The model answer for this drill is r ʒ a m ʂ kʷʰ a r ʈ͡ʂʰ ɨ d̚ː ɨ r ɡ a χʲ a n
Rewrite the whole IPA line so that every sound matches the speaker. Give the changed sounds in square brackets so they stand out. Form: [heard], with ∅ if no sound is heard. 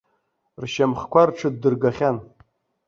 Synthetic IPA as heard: r [ʃ] a m [χ] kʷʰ a r ʈ͡ʂʰ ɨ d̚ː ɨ r ɡ a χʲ a n